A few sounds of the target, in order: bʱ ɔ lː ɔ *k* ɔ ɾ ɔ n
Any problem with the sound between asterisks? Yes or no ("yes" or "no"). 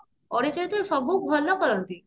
no